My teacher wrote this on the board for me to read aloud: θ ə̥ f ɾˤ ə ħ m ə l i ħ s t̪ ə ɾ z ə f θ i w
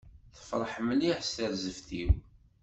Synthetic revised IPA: θ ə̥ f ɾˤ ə ħ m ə l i ħ s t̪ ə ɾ z ə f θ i w